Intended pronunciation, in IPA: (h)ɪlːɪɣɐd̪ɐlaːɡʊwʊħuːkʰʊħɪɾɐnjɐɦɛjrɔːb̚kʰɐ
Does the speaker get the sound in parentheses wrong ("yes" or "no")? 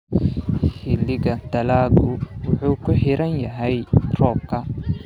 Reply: no